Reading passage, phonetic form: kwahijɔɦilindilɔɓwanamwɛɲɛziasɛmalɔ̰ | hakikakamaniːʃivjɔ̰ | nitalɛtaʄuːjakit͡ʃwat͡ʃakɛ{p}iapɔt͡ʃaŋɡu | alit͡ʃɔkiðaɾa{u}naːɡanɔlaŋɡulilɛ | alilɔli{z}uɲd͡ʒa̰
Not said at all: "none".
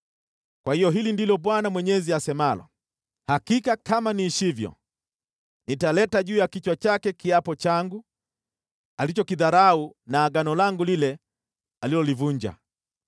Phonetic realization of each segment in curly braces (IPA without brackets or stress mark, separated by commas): k, u, v